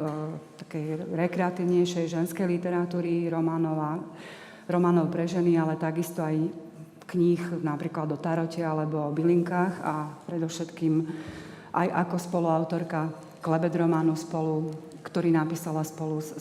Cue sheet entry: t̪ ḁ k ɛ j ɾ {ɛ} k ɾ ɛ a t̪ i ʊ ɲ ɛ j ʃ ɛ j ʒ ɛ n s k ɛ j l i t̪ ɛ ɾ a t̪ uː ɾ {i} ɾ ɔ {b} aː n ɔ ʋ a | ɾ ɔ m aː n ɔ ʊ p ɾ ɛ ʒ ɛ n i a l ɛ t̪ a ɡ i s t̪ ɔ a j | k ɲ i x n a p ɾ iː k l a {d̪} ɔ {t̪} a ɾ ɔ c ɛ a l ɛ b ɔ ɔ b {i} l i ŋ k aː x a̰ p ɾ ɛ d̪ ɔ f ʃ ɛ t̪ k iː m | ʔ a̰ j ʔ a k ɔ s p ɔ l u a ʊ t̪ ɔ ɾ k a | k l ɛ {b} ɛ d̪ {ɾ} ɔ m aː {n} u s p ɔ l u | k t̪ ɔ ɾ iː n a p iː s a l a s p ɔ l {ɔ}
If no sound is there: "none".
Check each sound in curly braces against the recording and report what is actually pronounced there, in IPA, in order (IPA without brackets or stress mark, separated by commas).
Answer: ɛ, i, m, d̪, t̪, i, b, ɾ, n, u